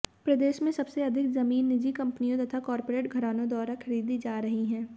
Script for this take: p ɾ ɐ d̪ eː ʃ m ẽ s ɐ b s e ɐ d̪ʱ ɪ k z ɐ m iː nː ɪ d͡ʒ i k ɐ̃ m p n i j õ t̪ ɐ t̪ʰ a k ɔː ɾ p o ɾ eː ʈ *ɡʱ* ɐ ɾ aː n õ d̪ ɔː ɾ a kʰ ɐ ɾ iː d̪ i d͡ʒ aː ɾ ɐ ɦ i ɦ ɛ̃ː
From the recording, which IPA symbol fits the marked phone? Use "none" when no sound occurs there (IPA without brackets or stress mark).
ɡʱ